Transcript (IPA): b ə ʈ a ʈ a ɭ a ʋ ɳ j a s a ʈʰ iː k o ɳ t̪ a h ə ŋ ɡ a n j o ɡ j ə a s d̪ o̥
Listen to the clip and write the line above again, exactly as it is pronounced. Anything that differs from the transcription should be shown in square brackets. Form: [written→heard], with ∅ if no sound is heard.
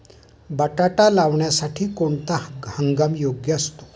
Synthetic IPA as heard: b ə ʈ a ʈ a [ɭ→l] a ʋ ɳ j a s a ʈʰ iː k o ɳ t̪ a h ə ŋ ɡ a [n→m] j o ɡ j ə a s [d̪→t̪] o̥